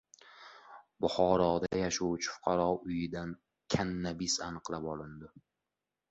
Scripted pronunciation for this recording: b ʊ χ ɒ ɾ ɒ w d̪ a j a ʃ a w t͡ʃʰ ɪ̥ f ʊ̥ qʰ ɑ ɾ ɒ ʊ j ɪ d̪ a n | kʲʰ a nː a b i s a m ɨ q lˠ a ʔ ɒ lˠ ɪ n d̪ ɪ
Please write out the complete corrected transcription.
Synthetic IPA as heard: b ʊ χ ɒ ɾ ɒ d̪ a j a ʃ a w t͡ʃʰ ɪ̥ f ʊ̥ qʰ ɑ ɾ ɒ ʊ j ɪ d̪ a n | kʲʰ a nː a b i s a n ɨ q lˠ a p ɒ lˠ ɪ n d̪ ɪ

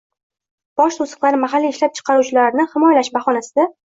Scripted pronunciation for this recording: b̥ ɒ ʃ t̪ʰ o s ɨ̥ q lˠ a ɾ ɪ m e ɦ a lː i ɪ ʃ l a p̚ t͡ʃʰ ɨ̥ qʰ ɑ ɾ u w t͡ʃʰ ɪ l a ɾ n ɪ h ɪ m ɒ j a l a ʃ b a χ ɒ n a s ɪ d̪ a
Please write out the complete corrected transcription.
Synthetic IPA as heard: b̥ ɒ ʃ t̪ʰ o s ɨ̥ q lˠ a ɾ ɪ m a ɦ a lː i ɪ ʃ l a p̚ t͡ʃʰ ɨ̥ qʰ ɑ ɾ u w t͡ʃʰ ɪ l a ɾ n ɪ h ɪ m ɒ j a l a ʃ b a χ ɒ n a s ɪ d̪ a

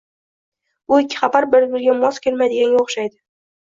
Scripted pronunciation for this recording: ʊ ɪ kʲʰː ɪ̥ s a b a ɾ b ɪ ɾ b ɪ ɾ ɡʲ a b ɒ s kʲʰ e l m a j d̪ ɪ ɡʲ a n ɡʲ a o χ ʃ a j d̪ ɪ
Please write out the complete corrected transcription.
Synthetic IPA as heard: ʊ ɪ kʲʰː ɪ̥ χ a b a ɾ b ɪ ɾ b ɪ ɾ ɡʲ a m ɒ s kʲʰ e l m a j d̪ ɪ ɡʲ a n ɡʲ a o χ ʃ a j d̪ ɪ

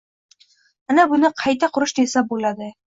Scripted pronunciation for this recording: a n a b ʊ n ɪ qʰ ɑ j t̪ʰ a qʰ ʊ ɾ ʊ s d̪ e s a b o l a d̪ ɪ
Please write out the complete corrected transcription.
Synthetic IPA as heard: a n a b ʊ n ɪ qʰ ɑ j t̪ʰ a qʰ ʊ ɾ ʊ ʃ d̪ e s a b o l a d̪ ɪ

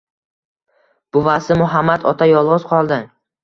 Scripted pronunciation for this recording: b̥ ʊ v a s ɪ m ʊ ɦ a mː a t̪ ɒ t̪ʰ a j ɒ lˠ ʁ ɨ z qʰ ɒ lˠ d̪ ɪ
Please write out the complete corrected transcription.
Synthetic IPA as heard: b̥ ʊ v a s ɪ m ʊ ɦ a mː a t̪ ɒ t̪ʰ a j ɒ lˠ ʁ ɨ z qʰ ɒ lˠ d̪ ɪ

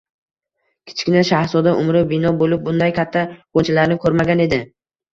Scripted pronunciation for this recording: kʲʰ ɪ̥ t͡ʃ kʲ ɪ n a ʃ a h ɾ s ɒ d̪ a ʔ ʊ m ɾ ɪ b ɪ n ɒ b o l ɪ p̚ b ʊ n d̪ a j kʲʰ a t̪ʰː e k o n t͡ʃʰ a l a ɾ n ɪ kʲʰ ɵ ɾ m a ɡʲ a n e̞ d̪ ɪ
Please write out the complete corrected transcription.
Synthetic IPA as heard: kʲʰ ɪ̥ t͡ʃ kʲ ɪ n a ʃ a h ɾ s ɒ d̪ a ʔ ʊ m ɾ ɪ b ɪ n ɒ b o l ɪ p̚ b ʊ n d̪ a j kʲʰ a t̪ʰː a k o n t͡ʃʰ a l a ɾ n ɪ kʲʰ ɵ ɾ m a ɡʲ a n e̞ d̪ ɪ

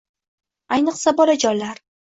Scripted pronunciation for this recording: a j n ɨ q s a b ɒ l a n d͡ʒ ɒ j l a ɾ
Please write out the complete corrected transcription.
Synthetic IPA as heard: a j n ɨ q s a b ɒ l a d͡ʒ ɒ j l a ɾ

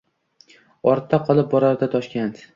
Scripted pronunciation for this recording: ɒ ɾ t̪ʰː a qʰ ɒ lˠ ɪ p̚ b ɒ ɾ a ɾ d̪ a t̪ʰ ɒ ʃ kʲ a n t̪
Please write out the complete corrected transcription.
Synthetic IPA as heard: ɒ ɾ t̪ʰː a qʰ ɒ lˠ ɪ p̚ b ɒ ɾ a ɾ d̪ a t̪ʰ ɒ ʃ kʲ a n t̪

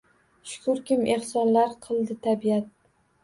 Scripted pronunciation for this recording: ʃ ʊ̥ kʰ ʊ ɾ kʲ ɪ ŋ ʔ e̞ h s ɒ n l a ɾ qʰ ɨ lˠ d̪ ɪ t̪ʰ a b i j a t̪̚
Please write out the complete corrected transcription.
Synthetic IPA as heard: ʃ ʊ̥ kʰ ʊ ɾ kʲ ɪ m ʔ e̞ h s ɒ n l a ɾ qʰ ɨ lˠ d̪ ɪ t̪ʰ a b i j a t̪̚

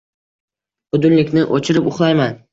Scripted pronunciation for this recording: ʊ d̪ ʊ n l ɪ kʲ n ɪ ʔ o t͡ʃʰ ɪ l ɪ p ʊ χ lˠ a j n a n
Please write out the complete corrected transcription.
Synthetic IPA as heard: ʊ d̪ ʊ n l ɪ kʲ n ɪ ʔ o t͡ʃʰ ɪ ɾ ɪ p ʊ χ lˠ a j m a n

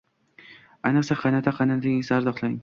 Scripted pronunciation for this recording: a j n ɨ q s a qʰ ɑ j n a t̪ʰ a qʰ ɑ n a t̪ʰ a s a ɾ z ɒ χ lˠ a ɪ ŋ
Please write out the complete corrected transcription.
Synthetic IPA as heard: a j n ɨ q s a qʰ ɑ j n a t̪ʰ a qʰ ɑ n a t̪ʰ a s a ɾ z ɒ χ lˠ a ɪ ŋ

